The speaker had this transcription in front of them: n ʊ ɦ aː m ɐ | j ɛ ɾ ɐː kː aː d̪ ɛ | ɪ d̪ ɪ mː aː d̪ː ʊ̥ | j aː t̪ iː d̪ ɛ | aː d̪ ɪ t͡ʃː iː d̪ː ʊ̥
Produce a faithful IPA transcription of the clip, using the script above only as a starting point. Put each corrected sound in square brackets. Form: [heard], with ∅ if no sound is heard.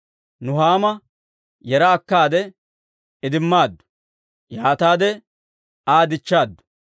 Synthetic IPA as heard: n ʊ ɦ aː m ɐ | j ɛ ɾ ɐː kː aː d̪ ɛ | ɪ d̪ ɪ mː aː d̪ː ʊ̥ | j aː t̪ [aː] d̪ ɛ | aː d̪ ɪ t͡ʃː [aː] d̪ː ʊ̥